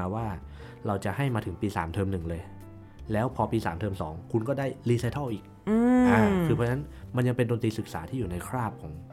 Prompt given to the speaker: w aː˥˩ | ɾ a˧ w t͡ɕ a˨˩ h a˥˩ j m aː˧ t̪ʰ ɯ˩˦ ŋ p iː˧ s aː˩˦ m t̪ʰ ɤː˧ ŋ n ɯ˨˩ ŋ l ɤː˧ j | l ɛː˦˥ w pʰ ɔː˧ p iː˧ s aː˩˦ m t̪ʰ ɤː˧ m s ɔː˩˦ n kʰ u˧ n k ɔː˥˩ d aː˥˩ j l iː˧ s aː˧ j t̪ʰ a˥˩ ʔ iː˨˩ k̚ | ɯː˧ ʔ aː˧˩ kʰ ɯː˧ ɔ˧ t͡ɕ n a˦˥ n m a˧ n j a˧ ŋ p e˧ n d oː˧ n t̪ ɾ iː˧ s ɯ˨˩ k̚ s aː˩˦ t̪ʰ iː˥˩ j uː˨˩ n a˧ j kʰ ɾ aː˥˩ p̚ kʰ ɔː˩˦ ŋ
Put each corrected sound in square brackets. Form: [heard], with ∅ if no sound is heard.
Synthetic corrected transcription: w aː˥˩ | ɾ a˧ w t͡ɕ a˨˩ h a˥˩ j m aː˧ t̪ʰ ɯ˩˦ ŋ p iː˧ s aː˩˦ m t̪ʰ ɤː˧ [m] n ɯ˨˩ ŋ l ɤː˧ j | l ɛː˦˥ w pʰ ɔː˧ p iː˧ s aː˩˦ m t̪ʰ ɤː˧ m s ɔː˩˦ [ŋ] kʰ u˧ n k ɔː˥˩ d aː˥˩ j l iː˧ s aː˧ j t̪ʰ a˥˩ ʔ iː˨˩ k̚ | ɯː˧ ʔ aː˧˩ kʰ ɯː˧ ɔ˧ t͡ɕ n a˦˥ n m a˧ n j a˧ ŋ p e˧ n d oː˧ n t̪ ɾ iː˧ s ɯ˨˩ k̚ s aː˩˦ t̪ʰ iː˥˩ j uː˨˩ n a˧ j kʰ ɾ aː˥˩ p̚ kʰ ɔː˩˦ ŋ